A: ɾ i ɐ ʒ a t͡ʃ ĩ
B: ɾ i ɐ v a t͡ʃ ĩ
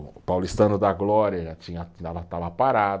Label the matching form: A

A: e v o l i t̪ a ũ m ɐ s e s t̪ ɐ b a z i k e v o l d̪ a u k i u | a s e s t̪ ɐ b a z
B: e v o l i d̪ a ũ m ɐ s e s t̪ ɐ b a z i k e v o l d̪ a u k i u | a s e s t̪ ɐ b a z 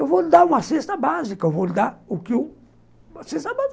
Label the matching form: B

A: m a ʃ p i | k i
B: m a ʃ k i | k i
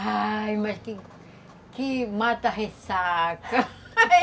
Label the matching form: B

